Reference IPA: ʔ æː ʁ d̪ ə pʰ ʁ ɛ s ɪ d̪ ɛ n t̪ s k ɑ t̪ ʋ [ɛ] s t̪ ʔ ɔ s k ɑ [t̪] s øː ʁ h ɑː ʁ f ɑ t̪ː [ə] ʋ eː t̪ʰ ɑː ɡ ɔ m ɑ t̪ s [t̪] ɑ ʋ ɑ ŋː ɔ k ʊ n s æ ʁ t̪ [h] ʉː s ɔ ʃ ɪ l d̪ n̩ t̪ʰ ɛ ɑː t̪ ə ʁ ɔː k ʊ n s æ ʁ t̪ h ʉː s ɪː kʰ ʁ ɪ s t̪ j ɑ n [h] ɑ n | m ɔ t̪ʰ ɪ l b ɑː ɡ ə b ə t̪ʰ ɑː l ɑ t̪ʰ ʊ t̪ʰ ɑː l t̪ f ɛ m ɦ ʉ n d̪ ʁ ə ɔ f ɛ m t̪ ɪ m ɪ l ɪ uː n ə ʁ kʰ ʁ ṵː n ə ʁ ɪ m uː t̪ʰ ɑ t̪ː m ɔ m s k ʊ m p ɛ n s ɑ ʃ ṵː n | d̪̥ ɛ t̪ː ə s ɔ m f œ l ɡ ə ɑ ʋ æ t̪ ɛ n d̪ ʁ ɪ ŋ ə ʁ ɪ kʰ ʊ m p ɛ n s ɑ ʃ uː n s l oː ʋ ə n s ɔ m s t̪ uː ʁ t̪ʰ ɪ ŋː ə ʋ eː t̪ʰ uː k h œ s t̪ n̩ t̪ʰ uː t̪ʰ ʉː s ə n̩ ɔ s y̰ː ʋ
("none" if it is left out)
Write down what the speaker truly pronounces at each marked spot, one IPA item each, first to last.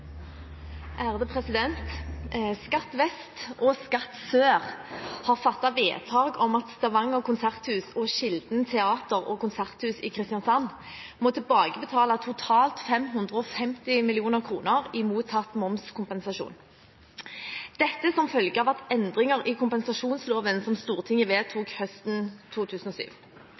ɛ, t̪, ɑ, t̪, h, s

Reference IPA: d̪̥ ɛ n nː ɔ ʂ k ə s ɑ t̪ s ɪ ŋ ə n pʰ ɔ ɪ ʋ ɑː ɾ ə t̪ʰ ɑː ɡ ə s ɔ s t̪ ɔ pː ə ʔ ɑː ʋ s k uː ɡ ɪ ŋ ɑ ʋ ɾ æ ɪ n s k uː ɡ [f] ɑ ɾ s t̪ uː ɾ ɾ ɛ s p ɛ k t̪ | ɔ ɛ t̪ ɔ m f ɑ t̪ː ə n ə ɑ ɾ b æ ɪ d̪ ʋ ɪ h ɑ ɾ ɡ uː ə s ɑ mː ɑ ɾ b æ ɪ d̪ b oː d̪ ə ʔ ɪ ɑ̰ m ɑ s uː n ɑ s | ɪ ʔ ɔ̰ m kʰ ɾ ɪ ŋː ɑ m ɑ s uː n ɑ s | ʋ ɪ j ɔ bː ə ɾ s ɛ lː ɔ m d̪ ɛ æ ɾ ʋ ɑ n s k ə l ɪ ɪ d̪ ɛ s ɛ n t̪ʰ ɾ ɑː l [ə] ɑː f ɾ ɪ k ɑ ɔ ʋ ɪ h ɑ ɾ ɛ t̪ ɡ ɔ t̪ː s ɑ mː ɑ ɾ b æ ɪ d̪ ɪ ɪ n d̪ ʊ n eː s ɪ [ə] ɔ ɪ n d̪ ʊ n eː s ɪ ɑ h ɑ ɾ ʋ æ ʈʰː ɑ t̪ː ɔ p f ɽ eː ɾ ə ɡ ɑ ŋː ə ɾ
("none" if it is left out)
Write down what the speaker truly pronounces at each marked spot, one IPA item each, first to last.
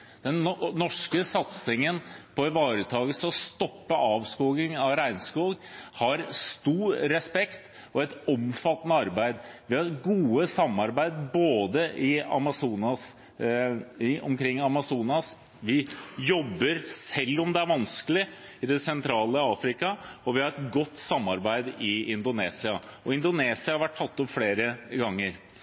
h, ə, ɑ

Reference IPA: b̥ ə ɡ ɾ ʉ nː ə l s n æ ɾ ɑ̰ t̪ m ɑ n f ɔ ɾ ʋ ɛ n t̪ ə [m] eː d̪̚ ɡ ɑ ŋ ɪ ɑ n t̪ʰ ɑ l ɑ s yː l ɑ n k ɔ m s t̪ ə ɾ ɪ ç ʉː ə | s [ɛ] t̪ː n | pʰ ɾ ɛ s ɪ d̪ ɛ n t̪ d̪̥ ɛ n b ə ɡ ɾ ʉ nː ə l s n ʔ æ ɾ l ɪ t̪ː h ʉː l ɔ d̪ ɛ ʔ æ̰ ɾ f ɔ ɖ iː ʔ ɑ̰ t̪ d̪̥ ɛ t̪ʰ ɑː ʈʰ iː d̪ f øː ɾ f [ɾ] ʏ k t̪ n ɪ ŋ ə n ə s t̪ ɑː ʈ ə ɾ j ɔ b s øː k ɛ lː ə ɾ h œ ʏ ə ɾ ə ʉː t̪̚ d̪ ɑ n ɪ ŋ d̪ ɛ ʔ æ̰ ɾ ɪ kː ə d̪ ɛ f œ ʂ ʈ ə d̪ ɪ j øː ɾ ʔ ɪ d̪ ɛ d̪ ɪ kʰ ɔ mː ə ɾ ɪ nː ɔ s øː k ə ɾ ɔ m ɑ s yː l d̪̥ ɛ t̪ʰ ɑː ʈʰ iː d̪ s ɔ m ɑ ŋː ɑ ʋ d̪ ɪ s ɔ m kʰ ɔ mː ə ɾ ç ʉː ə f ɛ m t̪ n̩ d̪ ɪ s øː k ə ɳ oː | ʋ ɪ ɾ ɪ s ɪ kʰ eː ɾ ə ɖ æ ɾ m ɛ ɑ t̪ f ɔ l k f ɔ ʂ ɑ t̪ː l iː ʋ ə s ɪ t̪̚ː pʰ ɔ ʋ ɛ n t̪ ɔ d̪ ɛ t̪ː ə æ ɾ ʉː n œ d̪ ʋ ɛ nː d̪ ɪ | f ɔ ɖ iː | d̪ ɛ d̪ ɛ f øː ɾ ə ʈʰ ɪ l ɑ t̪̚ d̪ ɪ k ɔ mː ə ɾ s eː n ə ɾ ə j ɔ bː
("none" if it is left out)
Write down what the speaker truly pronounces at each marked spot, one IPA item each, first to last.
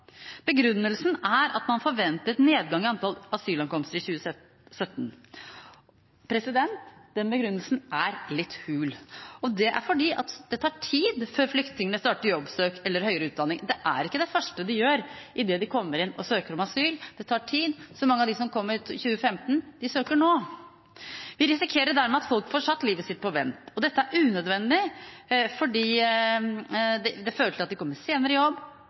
n, œ, l

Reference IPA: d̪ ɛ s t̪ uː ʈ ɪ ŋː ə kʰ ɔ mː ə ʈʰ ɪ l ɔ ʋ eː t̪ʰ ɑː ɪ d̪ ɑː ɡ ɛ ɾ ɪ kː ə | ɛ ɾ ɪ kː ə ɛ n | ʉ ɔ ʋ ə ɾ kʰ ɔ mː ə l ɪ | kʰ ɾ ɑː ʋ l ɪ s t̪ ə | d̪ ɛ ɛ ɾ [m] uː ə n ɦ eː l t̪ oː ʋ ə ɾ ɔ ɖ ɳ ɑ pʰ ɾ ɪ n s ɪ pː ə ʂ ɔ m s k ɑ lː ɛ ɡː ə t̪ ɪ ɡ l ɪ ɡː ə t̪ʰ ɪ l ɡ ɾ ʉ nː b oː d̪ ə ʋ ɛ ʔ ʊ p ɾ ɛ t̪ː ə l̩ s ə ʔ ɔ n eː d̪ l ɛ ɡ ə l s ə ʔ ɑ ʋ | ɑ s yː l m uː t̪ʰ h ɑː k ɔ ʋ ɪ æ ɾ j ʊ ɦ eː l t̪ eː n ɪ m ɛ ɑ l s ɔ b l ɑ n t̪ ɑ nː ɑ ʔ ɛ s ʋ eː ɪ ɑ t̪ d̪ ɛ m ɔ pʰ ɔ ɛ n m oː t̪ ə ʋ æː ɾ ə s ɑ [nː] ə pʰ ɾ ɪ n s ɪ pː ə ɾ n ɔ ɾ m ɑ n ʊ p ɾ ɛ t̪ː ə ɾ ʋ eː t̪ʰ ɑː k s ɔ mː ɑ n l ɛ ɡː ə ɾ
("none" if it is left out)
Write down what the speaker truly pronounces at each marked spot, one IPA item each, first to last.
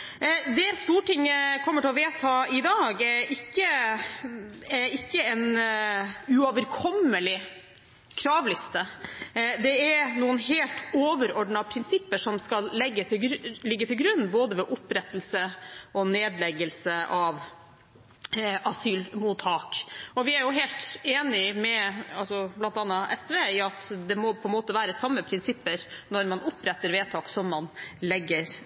n, mː

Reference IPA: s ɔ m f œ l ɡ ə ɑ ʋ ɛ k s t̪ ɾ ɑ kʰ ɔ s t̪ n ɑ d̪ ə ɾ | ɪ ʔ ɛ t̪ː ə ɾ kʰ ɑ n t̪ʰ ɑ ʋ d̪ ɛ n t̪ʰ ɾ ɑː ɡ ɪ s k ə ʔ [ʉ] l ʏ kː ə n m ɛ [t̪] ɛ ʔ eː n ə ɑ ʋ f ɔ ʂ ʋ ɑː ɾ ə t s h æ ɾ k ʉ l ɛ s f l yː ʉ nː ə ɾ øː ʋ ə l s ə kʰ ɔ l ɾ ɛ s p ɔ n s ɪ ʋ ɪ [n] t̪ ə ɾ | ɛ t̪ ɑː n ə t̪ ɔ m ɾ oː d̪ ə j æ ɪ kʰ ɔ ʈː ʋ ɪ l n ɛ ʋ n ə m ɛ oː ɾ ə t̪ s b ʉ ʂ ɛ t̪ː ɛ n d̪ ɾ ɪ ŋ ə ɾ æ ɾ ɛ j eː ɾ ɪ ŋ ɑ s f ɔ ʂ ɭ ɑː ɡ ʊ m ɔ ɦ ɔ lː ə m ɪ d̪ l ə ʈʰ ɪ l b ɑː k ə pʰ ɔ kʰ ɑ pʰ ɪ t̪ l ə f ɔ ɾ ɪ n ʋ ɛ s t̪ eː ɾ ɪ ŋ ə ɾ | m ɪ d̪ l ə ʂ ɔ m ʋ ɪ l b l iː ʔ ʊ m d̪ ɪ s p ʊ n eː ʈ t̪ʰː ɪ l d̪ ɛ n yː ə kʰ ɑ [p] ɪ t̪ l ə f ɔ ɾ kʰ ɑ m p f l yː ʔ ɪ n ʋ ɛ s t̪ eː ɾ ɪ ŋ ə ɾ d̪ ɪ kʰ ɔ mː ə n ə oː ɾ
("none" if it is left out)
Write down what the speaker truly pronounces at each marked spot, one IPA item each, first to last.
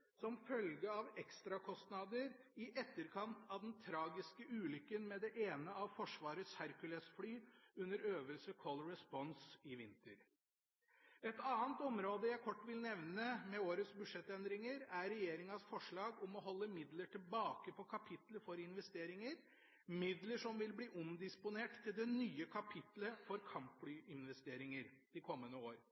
ʉː, d̪, n, pʰ

